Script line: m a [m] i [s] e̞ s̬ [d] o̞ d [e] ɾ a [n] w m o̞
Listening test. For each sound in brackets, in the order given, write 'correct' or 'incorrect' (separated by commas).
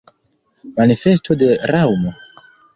incorrect, incorrect, incorrect, correct, incorrect